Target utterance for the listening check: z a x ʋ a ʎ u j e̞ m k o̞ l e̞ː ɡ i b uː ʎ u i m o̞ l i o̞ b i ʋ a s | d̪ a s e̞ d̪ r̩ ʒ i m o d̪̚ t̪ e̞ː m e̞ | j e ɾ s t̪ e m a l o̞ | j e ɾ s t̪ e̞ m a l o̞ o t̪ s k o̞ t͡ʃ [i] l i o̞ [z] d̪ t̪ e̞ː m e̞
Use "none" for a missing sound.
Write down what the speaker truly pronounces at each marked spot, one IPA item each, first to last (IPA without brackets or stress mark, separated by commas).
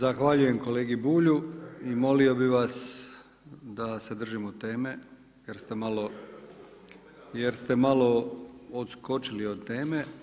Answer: i, none